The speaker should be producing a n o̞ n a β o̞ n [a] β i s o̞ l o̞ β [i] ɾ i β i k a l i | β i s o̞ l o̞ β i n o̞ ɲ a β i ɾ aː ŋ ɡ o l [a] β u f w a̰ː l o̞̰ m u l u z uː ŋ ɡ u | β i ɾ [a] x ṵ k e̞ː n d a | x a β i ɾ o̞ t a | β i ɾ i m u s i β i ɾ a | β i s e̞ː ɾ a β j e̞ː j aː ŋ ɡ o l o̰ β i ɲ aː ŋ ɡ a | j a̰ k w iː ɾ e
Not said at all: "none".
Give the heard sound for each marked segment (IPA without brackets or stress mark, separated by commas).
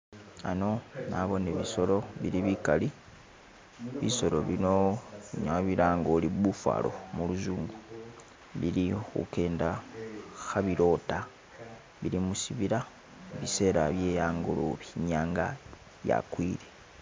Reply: e, i, i, i